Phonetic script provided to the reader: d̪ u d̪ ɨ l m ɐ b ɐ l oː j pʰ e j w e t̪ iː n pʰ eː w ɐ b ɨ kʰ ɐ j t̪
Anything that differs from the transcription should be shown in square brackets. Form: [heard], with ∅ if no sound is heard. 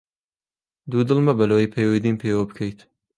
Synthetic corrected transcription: d̪ u d̪ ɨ l m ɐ b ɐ l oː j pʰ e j w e [d̪] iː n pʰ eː w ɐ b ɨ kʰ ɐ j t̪